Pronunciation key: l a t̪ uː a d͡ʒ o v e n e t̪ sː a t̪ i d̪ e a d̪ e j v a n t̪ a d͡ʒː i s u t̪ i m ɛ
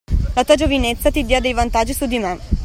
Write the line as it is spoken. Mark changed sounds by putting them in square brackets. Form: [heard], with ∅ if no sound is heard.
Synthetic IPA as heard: l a t̪ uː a d͡ʒ o v [i] n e t̪ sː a t̪ i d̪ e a d̪ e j v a n t̪ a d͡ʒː i s u [d̪] i m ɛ